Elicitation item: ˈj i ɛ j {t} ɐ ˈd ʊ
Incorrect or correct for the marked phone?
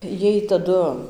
correct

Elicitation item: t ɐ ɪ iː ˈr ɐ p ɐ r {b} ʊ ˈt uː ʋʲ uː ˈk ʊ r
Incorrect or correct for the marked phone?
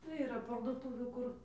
incorrect: d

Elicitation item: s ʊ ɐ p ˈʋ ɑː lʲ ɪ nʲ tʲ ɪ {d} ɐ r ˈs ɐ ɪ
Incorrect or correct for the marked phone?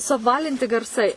incorrect: ɡ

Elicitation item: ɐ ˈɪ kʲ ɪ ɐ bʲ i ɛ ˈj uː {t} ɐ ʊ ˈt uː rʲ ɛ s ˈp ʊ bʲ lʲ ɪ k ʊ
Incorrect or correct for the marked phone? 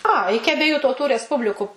correct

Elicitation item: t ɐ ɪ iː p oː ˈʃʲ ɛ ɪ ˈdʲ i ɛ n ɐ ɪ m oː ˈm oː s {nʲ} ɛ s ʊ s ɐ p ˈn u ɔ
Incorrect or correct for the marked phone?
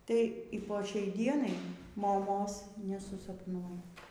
correct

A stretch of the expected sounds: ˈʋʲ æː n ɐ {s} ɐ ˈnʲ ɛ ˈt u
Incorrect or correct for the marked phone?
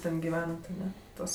incorrect: t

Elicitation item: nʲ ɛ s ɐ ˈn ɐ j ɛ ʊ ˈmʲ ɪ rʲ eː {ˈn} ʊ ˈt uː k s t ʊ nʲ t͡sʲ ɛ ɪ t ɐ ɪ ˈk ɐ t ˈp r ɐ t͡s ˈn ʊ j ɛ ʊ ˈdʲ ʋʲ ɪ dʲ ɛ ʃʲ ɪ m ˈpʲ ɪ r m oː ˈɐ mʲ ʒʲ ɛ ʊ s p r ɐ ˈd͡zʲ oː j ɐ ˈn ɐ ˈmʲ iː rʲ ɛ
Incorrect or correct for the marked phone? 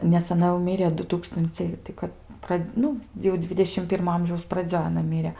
incorrect: d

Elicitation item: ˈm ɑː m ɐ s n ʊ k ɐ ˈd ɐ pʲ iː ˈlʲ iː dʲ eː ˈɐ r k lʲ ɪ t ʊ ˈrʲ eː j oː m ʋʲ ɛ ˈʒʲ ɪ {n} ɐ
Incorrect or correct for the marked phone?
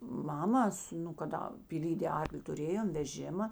incorrect: m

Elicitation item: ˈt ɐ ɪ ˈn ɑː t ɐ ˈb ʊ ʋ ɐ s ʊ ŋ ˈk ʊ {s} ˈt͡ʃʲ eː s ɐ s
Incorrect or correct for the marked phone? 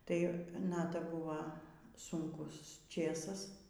correct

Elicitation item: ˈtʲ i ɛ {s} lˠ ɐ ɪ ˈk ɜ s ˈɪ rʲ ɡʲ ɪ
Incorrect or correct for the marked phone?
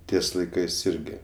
correct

